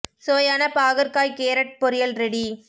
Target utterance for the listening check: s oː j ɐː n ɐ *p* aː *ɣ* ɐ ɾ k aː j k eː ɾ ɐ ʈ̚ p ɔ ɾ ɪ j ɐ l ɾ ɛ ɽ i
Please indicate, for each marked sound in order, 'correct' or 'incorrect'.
correct, correct

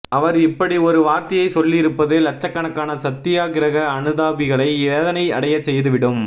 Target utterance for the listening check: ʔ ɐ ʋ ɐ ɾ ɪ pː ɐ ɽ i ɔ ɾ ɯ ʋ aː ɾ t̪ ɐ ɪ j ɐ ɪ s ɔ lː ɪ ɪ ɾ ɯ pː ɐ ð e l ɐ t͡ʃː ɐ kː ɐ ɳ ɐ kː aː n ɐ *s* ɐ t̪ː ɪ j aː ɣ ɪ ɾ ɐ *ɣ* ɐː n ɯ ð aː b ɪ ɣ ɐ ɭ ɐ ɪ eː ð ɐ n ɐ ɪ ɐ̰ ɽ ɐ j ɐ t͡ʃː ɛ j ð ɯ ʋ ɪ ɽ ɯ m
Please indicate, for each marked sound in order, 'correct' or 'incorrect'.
correct, correct

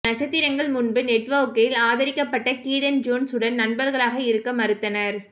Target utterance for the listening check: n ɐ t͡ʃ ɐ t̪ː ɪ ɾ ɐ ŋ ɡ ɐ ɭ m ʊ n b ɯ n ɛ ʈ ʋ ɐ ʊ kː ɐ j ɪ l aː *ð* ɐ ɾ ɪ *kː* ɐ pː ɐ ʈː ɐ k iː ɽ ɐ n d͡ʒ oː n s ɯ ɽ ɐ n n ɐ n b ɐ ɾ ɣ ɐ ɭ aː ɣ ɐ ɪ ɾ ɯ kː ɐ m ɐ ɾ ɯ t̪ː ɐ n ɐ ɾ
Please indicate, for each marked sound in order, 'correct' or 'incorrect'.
correct, correct

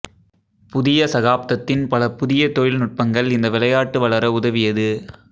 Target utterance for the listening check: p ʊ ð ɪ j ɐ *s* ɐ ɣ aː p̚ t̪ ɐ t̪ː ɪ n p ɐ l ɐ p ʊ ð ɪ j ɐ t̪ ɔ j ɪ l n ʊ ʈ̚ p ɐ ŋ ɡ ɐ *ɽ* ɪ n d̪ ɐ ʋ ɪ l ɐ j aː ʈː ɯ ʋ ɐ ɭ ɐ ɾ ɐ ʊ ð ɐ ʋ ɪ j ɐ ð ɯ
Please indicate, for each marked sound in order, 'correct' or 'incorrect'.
correct, incorrect

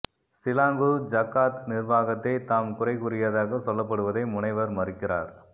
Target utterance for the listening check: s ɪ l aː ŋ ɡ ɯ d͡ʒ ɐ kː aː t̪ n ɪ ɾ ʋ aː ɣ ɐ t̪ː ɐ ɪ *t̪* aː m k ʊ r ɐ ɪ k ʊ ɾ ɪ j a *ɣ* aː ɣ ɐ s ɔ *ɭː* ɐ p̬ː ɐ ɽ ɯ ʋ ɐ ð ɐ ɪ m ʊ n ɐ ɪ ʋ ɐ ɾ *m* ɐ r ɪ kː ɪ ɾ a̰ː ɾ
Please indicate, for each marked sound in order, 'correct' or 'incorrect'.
correct, incorrect, incorrect, correct

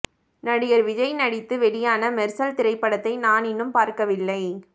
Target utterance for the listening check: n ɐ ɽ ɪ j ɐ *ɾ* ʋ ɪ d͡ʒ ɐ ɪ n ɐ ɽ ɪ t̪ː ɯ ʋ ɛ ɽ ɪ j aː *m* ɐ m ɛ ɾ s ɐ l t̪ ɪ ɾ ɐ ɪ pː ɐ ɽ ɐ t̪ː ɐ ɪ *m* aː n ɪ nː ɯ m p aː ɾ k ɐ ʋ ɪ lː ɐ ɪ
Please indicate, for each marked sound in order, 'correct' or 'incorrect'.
correct, incorrect, incorrect

